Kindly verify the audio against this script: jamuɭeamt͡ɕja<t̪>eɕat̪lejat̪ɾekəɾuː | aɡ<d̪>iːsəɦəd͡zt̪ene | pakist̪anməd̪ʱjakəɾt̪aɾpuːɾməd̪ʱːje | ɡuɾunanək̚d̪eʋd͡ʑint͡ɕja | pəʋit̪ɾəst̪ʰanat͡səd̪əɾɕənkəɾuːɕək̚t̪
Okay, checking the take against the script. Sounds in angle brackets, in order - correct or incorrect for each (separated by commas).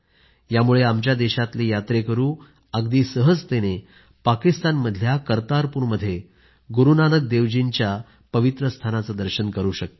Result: incorrect, correct